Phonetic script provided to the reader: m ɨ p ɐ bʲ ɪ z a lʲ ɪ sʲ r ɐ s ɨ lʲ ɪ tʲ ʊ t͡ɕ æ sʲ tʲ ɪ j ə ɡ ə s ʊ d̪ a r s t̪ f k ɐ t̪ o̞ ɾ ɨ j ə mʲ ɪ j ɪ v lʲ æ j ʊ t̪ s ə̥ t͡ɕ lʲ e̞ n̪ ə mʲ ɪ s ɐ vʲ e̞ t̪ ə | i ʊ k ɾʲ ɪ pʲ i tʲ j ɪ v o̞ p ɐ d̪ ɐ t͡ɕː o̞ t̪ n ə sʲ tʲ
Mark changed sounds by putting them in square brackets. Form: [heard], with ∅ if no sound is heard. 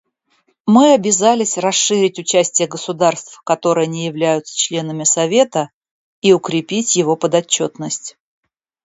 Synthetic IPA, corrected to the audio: m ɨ [∅] ɐ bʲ ɪ z a lʲ ɪ sʲ r ɐ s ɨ [ɾʲ] ɪ tʲ ʊ t͡ɕ æ sʲ tʲ ɪ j ə ɡ ə s ʊ d̪ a r s t̪ f k ɐ t̪ o̞ ɾ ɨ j ə [nʲ] ɪ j ɪ v lʲ æ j ʊ t̪ s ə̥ t͡ɕ lʲ e̞ n̪ ə mʲ ɪ s ɐ vʲ e̞ t̪ ə | i ʊ k ɾʲ ɪ pʲ i tʲ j ɪ v o̞ p [ə] d̪ ɐ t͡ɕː o̞ t̪ n ə sʲ tʲ